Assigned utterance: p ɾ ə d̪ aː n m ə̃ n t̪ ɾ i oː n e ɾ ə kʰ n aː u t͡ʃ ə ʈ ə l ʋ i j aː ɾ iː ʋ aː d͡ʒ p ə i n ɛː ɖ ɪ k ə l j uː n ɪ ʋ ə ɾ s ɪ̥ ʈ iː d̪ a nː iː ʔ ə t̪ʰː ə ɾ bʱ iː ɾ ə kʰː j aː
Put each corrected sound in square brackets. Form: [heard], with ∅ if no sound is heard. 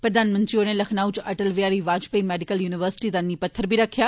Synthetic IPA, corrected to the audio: p ɾ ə d̪ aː n m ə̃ n t̪ ɾ i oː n e [l] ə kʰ n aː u t͡ʃ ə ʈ ə l ʋ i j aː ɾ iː ʋ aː d͡ʒ p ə i [m] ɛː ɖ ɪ k ə l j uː n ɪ ʋ ə ɾ s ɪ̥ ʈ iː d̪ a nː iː [p] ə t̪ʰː ə ɾ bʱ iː ɾ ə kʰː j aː